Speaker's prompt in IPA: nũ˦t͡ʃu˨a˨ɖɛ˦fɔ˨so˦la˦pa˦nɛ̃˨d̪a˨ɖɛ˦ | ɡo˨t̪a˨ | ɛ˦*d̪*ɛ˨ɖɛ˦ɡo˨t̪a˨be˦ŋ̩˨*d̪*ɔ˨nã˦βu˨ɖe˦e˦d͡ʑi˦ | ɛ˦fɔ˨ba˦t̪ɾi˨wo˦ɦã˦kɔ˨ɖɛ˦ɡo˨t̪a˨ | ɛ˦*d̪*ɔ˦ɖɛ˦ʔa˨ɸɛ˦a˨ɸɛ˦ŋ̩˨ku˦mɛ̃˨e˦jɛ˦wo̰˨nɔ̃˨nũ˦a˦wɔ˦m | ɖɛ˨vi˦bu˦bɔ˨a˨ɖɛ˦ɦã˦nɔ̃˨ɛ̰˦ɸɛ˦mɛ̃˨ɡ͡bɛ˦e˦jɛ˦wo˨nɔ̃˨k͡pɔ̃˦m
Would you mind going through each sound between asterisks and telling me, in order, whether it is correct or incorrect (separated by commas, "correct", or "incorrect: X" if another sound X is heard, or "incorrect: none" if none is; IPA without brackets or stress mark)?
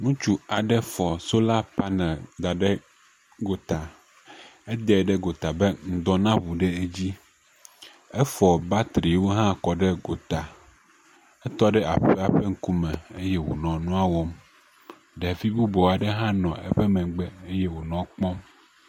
correct, correct, incorrect: t̪